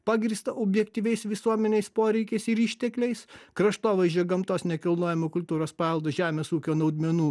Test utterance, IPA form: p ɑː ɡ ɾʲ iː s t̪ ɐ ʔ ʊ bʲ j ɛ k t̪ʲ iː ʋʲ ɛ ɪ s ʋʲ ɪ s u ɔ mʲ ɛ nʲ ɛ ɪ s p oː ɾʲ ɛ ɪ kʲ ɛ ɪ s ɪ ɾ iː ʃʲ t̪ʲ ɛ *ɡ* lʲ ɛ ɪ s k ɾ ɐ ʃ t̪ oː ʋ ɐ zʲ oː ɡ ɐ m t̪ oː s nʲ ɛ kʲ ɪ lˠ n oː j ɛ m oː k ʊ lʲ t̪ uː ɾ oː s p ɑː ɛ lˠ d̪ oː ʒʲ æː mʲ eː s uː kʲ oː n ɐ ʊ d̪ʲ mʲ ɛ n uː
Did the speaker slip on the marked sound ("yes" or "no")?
yes